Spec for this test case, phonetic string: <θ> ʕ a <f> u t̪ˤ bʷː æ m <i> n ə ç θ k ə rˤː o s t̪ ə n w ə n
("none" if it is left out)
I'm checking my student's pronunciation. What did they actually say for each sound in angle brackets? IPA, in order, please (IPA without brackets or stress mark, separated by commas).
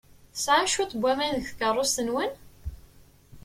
s, ʃ, æ